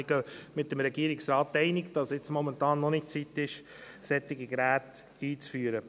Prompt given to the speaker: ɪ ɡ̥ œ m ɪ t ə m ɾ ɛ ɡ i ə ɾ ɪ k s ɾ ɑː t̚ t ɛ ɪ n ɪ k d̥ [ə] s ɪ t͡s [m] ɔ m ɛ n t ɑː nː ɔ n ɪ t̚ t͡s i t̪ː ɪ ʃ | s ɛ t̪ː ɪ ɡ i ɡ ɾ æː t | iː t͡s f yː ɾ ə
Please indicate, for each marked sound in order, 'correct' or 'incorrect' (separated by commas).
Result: incorrect, correct